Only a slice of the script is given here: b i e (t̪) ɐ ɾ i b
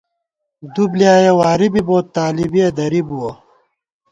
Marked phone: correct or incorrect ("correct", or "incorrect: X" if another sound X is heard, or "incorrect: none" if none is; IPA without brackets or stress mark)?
incorrect: d̪